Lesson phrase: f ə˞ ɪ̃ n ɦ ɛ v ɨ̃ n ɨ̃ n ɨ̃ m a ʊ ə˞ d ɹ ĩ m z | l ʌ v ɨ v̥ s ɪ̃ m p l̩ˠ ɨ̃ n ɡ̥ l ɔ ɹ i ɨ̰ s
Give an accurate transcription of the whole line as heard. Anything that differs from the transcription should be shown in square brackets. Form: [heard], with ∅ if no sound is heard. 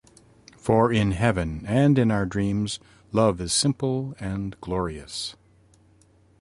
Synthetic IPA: f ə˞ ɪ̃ n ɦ ɛ v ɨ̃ n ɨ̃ n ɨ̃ [n] a ʊ ə˞ d ɹ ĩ m z | l ʌ v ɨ [z̥] s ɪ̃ m p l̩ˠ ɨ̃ n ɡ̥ l ɔ ɹ i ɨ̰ s